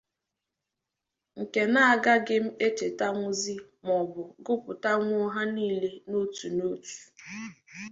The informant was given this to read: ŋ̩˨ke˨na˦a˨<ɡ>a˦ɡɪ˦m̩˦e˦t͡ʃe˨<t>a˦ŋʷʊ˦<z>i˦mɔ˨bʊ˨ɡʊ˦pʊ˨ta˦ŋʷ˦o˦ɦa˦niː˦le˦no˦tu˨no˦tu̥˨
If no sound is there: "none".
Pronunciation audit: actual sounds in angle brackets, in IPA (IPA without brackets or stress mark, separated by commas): ɡ, t, z